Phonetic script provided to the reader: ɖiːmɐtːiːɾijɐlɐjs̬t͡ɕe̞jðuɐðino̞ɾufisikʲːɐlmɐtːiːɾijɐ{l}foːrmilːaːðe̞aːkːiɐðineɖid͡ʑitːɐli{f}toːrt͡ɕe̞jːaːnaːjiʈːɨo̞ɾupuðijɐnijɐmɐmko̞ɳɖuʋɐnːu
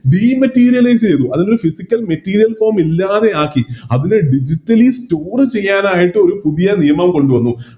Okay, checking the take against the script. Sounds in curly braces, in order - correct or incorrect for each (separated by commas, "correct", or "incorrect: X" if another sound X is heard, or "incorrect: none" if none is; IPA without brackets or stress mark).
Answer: correct, incorrect: s